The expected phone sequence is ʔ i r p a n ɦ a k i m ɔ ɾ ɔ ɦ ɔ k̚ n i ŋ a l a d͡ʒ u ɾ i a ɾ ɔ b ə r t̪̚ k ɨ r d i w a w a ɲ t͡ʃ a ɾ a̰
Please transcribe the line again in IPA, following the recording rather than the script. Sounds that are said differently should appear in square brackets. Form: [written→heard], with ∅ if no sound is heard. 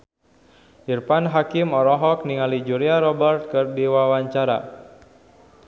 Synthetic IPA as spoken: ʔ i r p a n ɦ a k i m ɔ ɾ ɔ ɦ ɔ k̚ n i ŋ a l [a→i] d͡ʒ u ɾ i a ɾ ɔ b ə r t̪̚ k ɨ r d i w a w a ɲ t͡ʃ a ɾ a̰